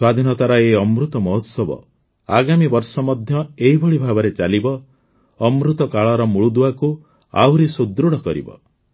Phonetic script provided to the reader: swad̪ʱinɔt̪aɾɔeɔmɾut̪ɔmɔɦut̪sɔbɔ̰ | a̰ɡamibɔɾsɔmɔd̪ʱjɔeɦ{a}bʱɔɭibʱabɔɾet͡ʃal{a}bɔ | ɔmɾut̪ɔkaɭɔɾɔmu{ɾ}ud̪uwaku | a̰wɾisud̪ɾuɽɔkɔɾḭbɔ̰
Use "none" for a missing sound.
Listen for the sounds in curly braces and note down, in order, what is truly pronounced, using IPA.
i, i, ɭ

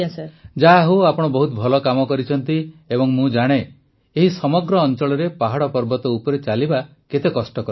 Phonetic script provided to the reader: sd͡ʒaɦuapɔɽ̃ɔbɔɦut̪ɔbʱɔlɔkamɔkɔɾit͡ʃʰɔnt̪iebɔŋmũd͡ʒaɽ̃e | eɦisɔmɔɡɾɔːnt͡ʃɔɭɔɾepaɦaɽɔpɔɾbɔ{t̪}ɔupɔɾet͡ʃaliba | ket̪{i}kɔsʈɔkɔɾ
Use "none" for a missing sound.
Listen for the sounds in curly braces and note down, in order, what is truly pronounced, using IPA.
t̪, e

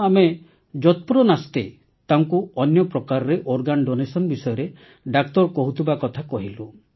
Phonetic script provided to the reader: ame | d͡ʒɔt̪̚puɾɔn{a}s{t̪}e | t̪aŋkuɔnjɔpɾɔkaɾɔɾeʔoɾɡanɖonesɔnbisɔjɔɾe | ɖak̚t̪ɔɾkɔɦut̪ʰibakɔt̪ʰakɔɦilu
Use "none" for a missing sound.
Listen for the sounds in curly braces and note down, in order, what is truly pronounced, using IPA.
a, t̪

